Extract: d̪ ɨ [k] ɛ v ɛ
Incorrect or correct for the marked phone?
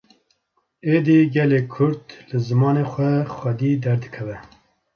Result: incorrect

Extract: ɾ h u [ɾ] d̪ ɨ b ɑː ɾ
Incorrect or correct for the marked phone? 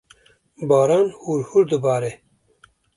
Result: correct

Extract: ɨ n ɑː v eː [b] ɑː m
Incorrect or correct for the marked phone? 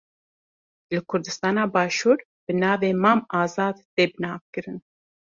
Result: incorrect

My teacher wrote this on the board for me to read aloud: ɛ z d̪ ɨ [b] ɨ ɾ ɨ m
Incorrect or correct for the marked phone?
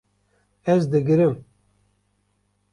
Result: incorrect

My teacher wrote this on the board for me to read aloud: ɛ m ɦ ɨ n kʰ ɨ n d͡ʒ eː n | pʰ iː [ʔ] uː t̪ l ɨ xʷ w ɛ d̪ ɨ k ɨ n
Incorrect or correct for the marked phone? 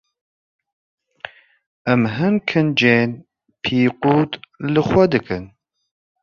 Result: incorrect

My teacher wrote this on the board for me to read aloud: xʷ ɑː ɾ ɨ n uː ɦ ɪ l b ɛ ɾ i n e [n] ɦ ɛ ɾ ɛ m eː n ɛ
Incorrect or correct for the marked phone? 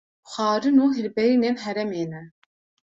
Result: correct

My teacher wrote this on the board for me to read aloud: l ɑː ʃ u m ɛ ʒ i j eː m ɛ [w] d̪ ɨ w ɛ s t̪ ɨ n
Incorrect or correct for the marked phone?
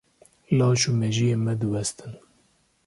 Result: incorrect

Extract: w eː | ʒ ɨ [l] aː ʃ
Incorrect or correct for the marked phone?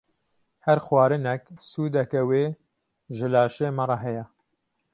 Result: correct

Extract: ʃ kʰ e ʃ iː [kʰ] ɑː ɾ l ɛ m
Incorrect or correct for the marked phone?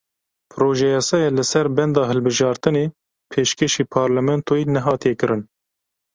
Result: incorrect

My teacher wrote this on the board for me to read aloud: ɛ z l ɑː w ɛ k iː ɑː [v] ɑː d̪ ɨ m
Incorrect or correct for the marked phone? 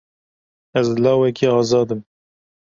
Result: incorrect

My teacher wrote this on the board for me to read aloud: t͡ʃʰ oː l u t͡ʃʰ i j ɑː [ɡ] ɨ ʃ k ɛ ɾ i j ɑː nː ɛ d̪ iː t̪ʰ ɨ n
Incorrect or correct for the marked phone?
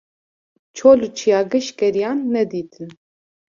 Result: correct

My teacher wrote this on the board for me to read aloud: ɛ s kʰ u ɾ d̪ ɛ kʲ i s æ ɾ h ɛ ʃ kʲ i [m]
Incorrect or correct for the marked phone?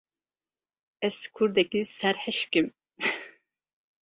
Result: correct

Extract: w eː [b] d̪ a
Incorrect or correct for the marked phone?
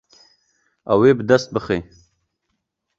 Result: correct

